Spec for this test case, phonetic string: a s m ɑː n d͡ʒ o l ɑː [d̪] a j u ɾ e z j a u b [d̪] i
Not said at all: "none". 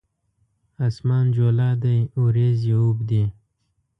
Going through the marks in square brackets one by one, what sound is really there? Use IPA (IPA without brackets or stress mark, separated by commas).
d̪, d̪